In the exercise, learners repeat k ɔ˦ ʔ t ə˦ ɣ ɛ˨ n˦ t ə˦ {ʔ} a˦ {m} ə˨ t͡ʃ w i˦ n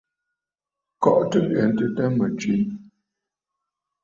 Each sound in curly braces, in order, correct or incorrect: incorrect: t, correct

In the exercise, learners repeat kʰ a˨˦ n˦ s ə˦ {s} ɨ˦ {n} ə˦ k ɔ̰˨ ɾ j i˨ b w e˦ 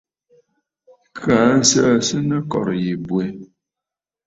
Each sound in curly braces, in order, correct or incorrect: correct, correct

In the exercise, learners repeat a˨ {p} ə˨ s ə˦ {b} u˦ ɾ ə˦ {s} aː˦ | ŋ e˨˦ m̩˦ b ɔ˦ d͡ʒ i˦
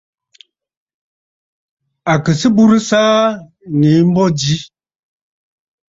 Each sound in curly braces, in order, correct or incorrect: incorrect: k, correct, correct

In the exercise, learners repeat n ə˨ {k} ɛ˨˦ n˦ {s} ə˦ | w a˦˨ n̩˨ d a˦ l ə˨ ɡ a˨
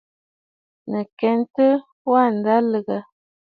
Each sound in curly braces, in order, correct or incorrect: correct, incorrect: t

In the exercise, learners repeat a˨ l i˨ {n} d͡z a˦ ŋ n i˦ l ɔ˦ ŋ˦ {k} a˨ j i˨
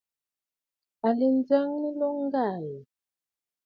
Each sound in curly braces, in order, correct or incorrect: correct, incorrect: ɡ

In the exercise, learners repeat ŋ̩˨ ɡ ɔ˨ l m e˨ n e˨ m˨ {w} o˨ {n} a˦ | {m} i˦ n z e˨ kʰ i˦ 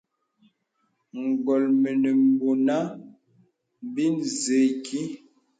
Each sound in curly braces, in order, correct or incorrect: incorrect: b, correct, incorrect: b

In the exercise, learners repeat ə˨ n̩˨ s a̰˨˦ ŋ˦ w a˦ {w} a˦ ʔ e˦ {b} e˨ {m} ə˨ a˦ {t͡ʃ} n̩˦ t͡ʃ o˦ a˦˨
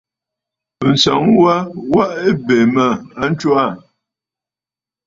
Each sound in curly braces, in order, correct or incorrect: correct, correct, correct, incorrect: none

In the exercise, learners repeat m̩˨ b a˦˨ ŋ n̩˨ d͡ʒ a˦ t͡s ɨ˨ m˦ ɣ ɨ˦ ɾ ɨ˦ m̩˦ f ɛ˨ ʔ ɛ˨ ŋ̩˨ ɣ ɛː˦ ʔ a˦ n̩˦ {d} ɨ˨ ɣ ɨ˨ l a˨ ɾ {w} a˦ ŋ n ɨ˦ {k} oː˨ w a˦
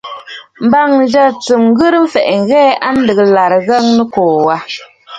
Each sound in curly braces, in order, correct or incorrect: correct, incorrect: ɣ, correct

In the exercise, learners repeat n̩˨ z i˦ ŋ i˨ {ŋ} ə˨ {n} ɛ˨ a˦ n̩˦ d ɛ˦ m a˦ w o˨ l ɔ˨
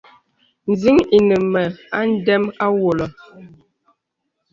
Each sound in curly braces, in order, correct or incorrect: incorrect: n, incorrect: m

